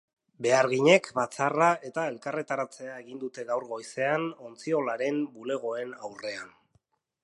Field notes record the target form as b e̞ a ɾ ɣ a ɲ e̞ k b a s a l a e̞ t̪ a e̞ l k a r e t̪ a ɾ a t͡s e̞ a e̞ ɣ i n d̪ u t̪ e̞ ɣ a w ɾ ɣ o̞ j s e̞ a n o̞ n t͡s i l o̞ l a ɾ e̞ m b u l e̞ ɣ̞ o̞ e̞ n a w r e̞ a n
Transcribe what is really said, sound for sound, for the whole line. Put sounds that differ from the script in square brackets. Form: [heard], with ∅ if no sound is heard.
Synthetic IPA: b e̞ a ɾ ɣ [i] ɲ e̞ k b a [t͡s] a [r] a e̞ t̪ a e̞ l k a r e t̪ a ɾ a t͡s e̞ a e̞ ɣ i n d̪ u t̪ e̞ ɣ a w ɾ ɣ o̞ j s e̞ a n o̞ n t͡s i [∅] o̞ l a ɾ e̞ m b u l e̞ ɣ̞ o̞ e̞ n a w r e̞ a n